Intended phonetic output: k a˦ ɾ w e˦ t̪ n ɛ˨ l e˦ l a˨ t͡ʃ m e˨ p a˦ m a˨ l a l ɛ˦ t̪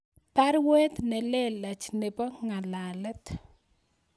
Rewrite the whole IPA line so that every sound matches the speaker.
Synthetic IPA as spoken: p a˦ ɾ w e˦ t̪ n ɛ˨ l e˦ l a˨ t͡ʃ n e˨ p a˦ ŋ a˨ l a l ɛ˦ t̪